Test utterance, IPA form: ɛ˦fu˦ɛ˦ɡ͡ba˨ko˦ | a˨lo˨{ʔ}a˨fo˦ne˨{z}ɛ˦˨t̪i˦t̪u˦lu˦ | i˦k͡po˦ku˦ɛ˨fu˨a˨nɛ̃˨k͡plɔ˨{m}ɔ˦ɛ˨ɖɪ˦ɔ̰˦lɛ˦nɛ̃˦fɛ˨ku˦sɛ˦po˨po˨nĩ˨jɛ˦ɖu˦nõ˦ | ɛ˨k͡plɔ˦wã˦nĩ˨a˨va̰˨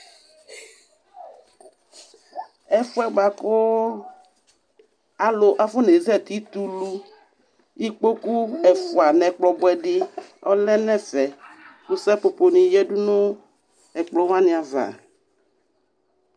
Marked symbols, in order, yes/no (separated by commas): yes, yes, no